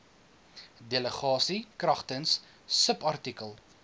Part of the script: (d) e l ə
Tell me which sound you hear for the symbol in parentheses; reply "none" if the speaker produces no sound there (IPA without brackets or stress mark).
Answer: d